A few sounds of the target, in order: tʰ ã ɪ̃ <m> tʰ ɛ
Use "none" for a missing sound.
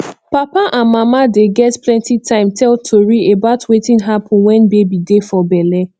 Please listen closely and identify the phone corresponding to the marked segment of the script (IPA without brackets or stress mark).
m